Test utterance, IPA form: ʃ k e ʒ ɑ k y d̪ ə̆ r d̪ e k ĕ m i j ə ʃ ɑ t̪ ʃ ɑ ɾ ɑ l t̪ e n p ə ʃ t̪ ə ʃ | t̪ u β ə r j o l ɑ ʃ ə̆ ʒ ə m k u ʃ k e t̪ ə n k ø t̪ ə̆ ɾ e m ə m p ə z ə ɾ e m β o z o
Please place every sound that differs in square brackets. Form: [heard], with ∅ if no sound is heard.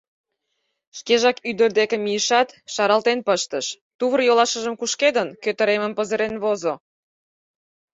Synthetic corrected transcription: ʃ k e ʒ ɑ k y d̪ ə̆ r d̪ e k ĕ m i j ə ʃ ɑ t̪ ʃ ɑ ɾ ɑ l t̪ e n p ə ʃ t̪ ə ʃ | t̪ u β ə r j o l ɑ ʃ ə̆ ʒ ə m k u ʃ k e [d̪] ə n k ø t̪ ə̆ ɾ e m ə m p ə z ə ɾ e [n] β o z o